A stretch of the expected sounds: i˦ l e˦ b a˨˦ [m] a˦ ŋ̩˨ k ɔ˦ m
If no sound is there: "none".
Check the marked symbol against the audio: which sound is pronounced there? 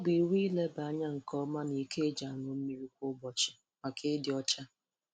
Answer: ɲ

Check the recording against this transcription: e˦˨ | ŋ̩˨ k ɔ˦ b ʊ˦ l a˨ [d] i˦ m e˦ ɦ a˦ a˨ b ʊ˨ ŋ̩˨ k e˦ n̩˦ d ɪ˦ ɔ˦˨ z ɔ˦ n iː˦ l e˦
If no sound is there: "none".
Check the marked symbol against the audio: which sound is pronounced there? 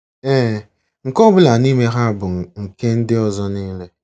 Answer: n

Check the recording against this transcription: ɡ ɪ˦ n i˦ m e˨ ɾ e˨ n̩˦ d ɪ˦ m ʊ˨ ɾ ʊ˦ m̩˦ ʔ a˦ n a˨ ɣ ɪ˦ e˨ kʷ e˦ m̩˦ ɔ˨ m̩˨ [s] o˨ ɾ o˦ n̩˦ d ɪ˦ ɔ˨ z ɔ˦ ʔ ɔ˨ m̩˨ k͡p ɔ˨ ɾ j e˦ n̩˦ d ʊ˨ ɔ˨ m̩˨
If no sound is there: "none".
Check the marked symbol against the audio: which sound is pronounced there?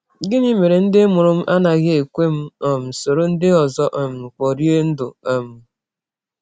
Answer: s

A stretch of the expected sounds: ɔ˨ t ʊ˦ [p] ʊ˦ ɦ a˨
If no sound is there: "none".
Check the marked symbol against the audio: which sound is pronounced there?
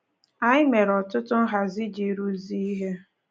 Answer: t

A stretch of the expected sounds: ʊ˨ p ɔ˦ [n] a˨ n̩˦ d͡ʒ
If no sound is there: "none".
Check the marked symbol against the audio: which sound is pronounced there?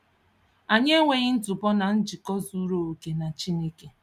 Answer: n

